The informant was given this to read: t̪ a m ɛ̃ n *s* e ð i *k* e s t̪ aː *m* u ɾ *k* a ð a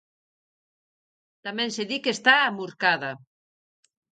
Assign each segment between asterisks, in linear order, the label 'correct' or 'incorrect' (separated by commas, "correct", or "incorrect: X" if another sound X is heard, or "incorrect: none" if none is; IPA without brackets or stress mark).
correct, correct, correct, correct